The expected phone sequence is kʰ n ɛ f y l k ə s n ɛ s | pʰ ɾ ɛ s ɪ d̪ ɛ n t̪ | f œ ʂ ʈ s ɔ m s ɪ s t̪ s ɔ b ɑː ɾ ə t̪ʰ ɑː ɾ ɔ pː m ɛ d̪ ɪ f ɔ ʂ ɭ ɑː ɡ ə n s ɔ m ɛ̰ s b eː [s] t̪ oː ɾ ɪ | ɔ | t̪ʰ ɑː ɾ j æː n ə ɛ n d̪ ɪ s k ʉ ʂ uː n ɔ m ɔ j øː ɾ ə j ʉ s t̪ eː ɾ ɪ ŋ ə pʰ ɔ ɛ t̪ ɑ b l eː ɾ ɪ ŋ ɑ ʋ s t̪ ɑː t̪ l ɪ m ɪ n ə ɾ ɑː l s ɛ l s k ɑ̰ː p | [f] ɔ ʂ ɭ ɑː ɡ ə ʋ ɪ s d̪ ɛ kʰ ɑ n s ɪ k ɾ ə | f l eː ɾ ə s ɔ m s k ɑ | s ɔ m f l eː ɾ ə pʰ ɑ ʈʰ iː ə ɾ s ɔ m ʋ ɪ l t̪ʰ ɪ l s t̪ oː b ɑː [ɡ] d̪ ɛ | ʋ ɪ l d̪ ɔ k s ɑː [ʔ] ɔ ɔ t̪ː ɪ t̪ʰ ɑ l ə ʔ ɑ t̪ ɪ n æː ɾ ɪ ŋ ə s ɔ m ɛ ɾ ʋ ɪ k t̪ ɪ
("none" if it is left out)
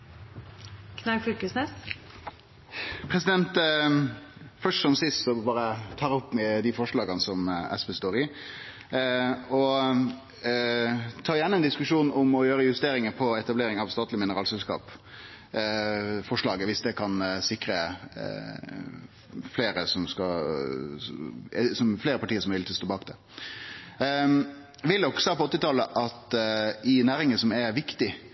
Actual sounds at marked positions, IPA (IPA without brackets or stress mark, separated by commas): s, f, k, p